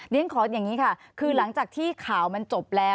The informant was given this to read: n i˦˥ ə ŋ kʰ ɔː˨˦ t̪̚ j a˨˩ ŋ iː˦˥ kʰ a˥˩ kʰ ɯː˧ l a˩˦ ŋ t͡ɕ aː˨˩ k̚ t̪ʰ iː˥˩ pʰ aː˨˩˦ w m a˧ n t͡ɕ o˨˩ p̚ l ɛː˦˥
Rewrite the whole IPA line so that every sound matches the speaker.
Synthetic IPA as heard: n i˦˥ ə ŋ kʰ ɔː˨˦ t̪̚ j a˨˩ ŋ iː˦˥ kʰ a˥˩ kʰ ɯː˧ l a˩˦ ŋ t͡ɕ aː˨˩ k̚ t̪ʰ iː˥˩ kʰ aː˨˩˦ w m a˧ n t͡ɕ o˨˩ p̚ l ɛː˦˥